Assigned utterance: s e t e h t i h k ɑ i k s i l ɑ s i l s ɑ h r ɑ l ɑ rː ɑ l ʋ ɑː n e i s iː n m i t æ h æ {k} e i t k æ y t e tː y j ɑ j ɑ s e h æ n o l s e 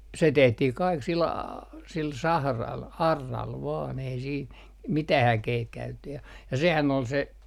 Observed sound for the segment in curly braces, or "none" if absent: k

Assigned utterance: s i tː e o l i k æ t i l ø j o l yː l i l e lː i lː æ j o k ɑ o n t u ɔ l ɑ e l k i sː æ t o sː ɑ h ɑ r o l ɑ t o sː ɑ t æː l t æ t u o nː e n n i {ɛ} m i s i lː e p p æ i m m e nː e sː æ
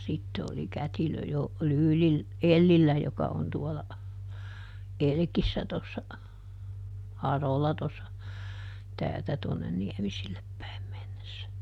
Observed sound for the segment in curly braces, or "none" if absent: ɛ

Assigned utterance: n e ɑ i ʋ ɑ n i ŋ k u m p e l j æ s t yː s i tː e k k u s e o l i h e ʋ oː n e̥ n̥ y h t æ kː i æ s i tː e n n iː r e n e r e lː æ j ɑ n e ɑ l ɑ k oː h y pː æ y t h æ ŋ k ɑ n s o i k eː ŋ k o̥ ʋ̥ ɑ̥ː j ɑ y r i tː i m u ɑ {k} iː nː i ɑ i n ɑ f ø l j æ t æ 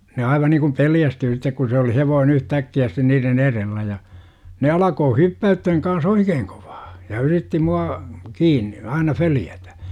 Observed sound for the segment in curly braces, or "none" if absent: k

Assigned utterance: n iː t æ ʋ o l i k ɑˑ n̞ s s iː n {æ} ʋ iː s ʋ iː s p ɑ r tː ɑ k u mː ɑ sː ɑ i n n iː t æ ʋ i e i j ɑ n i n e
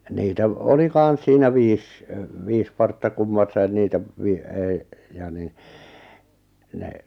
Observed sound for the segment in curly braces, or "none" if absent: æ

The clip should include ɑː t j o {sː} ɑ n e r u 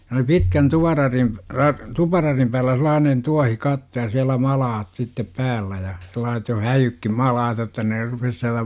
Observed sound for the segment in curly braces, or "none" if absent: tː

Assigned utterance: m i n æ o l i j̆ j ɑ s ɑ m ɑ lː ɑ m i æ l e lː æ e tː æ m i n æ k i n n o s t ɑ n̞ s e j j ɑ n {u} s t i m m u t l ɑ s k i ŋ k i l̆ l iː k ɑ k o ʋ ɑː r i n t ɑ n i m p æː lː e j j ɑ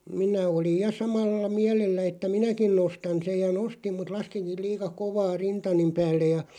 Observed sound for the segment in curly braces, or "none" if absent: o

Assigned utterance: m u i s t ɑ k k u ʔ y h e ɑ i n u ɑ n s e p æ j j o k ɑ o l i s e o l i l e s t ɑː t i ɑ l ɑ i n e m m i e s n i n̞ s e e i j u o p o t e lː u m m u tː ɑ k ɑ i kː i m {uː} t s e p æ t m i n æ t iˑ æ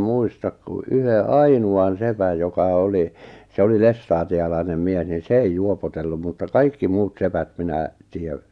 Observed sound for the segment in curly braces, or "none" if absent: uː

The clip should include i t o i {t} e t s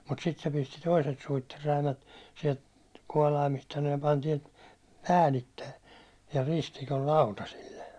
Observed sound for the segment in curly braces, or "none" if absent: s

